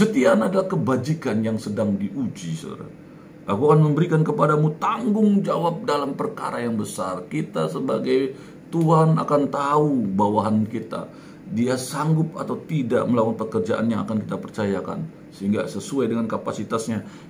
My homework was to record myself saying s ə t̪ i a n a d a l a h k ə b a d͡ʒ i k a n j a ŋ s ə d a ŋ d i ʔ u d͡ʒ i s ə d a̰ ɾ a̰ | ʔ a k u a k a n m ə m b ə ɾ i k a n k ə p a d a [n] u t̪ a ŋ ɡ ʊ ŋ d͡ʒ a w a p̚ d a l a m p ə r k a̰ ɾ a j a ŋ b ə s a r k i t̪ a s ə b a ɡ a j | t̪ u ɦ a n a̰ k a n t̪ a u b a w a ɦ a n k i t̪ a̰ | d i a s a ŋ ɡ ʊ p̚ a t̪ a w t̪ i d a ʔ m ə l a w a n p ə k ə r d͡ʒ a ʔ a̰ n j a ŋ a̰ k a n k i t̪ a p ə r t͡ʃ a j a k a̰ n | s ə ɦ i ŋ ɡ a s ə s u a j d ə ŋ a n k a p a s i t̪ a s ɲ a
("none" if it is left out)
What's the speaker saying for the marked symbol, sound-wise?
m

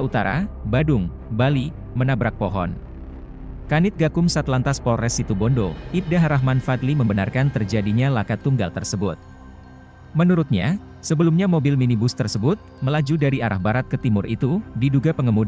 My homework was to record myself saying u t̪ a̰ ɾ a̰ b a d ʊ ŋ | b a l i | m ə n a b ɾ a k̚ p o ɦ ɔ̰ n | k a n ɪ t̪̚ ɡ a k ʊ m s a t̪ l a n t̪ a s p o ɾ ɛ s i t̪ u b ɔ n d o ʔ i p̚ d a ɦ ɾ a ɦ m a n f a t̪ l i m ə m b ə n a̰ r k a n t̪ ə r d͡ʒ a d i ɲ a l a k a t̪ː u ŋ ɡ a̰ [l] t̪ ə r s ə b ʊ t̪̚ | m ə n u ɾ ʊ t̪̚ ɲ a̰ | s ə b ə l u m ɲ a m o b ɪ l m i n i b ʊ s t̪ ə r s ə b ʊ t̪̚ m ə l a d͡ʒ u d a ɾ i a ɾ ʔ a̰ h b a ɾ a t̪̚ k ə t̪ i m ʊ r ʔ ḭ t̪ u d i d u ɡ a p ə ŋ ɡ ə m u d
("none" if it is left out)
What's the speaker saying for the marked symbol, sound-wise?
l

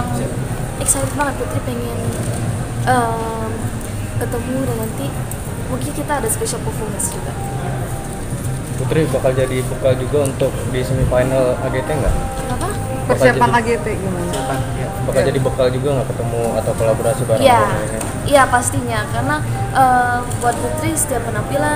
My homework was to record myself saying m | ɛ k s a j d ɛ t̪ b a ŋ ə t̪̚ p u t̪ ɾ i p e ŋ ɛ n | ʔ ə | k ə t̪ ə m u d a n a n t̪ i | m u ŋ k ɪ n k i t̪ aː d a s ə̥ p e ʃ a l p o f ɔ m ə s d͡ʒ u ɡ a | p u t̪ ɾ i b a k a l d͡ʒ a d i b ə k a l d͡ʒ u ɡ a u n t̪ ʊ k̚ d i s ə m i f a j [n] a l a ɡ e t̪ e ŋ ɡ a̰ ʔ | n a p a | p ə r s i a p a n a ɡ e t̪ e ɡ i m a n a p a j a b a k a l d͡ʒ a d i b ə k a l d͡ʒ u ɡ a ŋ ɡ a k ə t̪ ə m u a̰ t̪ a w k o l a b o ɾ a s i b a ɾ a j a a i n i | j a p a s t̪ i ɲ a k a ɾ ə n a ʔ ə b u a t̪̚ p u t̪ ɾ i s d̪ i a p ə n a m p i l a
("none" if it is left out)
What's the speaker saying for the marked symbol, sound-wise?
n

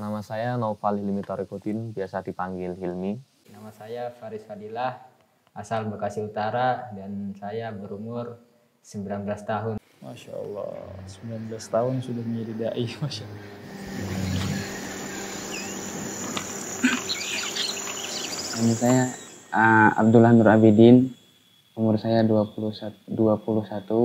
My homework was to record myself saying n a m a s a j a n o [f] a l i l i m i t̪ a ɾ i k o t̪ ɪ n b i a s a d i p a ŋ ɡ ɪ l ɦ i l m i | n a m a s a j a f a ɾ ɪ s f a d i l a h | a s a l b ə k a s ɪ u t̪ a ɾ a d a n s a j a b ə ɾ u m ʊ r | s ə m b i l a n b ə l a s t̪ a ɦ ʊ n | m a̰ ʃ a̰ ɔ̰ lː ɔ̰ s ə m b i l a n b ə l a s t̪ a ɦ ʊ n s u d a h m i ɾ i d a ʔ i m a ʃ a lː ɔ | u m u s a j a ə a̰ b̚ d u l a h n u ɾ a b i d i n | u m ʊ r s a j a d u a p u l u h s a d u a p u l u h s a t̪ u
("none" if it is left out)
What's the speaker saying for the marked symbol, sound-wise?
f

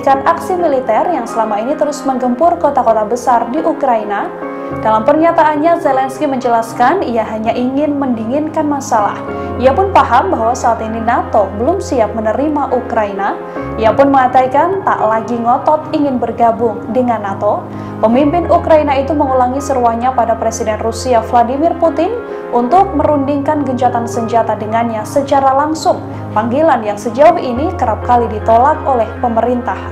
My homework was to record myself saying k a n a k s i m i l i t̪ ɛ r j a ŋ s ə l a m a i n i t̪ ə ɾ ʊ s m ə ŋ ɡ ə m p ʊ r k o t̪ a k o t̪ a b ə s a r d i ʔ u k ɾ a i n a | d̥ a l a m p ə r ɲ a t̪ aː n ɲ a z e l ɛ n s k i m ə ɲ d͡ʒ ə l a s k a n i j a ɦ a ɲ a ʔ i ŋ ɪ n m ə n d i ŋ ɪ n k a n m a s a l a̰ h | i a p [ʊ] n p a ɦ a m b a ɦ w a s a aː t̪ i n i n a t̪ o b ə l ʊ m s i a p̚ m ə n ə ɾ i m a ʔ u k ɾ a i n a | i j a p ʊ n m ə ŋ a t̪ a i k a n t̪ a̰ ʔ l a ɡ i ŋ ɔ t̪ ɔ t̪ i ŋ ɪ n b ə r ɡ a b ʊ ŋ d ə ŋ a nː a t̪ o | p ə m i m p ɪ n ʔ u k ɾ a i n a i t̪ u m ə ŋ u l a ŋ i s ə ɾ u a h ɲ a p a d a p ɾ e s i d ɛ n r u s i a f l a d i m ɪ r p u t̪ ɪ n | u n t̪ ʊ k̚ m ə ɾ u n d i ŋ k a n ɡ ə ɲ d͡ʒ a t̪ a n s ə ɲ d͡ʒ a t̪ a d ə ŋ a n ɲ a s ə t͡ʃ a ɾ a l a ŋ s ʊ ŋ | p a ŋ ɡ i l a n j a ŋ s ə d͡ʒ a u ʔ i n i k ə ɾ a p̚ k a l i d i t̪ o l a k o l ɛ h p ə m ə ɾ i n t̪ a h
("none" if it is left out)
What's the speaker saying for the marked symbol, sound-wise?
ʊ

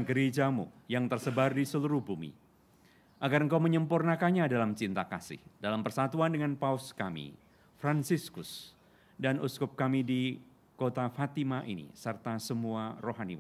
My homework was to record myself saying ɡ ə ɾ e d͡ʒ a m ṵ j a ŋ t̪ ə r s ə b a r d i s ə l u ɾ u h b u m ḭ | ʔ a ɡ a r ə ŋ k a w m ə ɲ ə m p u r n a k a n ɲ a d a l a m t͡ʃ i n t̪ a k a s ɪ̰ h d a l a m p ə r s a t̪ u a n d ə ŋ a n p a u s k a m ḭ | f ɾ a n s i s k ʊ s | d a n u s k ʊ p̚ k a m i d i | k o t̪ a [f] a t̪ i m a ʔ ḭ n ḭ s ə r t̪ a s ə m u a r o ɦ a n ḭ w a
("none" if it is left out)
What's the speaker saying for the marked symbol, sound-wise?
f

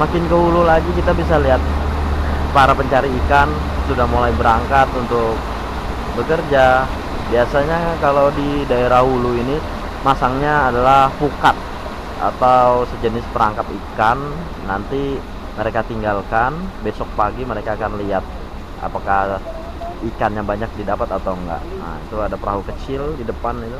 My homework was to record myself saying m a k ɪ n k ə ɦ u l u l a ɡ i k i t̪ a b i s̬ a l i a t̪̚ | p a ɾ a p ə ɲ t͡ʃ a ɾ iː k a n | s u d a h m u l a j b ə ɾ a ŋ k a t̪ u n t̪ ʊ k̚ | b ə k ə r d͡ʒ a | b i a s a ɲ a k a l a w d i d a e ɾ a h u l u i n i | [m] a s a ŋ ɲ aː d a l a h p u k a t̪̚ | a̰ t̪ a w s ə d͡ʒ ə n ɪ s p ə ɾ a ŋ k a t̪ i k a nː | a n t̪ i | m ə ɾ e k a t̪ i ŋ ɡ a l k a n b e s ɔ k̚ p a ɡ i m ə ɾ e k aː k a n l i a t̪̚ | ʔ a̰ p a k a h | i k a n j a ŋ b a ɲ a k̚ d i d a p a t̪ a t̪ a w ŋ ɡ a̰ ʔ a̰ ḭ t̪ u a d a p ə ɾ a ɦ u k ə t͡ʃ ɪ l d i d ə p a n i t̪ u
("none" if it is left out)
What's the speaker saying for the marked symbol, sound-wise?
m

